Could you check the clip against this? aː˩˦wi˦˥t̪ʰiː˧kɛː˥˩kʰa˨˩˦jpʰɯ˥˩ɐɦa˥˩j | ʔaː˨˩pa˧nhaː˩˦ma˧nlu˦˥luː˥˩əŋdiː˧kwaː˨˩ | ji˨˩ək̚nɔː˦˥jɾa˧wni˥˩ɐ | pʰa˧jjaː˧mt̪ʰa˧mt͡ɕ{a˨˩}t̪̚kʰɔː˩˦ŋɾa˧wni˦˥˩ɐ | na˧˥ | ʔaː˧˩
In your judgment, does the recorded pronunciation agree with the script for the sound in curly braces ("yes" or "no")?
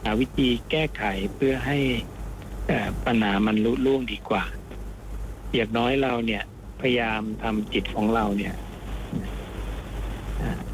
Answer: no